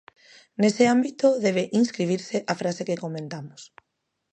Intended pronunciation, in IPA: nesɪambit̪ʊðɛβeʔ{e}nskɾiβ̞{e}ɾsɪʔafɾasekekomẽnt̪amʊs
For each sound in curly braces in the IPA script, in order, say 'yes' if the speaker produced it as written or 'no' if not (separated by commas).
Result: no, no